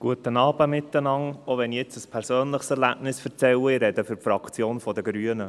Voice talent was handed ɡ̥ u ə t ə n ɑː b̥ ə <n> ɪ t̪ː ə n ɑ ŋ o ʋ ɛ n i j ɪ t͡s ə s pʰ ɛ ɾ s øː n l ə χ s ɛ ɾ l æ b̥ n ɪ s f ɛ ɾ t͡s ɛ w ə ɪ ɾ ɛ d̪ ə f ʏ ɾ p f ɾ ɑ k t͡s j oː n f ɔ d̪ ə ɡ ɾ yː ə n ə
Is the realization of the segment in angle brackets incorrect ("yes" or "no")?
yes